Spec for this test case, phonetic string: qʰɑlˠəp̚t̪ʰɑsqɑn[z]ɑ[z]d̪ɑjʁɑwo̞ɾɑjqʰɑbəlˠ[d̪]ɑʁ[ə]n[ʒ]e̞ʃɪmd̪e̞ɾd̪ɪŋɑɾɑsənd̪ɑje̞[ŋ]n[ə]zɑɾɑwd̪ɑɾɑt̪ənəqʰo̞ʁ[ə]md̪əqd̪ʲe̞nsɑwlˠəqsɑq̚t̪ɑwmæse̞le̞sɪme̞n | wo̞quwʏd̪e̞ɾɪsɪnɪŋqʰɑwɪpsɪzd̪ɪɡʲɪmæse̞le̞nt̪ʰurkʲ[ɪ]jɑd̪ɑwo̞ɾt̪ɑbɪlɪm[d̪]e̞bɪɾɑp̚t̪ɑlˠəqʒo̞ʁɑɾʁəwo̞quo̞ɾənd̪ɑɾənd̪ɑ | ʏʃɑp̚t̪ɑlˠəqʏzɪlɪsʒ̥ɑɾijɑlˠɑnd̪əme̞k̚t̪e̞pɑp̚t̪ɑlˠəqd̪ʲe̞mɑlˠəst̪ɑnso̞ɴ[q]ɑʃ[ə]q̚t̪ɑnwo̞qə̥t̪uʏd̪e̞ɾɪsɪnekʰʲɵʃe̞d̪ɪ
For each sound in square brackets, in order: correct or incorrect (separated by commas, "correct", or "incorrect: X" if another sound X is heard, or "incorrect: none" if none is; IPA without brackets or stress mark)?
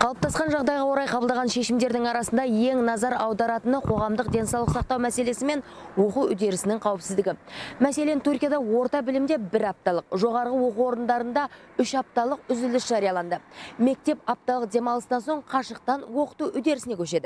incorrect: ʒ, incorrect: ʁ, correct, incorrect: ɑ, incorrect: ʃ, correct, incorrect: ɑ, incorrect: ɑ, incorrect: i, correct, incorrect: qʰ, correct